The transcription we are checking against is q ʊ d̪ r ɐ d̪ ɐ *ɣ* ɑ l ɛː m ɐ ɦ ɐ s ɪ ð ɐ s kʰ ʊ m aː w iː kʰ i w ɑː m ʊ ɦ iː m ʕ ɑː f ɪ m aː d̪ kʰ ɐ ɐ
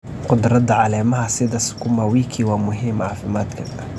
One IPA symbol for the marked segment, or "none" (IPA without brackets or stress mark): ʕ